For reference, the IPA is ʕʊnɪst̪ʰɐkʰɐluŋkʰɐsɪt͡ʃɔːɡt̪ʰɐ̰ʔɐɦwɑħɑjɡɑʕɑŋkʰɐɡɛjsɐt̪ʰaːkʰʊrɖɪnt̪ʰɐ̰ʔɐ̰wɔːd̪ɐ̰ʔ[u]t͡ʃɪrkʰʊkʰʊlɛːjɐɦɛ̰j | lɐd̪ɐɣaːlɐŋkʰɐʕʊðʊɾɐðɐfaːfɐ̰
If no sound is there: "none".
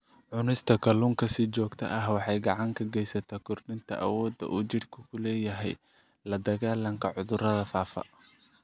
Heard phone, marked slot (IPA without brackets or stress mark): uː